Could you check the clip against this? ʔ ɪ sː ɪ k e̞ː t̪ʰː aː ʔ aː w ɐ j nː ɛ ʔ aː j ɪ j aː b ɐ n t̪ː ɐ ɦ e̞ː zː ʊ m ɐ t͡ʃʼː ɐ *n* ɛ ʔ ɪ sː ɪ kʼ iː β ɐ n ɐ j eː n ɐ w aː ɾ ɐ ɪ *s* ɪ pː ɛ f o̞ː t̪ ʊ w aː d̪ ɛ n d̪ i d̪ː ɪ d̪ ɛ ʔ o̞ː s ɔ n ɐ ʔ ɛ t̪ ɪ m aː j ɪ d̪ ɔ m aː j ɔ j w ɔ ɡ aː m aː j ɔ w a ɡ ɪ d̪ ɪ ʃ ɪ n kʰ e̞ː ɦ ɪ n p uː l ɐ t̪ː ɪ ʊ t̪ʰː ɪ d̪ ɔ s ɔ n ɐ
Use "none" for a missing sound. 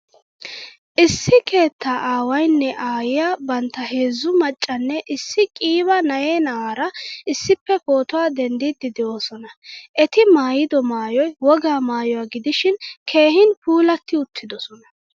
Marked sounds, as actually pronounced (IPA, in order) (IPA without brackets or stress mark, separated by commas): nː, sː